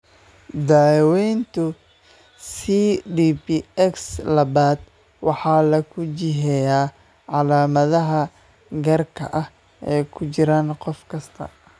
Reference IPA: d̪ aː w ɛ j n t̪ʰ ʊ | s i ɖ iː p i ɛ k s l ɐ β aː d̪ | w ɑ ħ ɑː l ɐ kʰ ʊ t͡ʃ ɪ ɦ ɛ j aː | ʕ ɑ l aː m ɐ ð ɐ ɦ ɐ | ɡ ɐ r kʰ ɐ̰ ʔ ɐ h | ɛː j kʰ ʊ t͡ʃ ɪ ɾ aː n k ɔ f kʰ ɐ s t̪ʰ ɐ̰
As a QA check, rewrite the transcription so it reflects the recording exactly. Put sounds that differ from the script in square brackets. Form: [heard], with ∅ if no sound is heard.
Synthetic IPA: d̪ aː w ɛ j n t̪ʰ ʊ | s i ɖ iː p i ɛ k s l ɐ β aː d̪ | w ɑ ħ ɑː l ɐ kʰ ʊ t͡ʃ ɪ ɦ ɛ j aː | ʕ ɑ l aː m ɐ ð ɐ ɦ ɐ | ɡ ɐ r kʰ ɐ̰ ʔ ɐ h | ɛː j kʰ ʊ t͡ʃ ɪ ɾ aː n [q] ɔ f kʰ ɐ s t̪ʰ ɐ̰